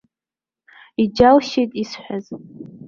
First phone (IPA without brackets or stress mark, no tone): i